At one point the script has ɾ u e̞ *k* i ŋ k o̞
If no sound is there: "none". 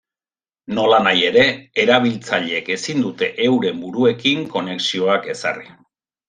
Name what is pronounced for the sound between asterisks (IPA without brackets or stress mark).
k